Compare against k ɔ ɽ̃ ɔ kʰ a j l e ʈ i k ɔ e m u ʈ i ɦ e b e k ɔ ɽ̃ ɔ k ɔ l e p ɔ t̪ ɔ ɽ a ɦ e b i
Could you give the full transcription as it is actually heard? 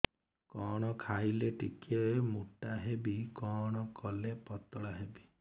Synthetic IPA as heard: k ɔ ɽ̃ ɔ kʰ a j l e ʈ i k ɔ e m u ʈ a ɦ e b i k ɔ ɽ̃ ɔ k ɔ l e p ɔ t̪ ɔ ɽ a ɦ e b i